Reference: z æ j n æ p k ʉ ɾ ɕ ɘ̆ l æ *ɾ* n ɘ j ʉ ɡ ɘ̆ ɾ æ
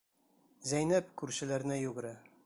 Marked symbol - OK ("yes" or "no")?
yes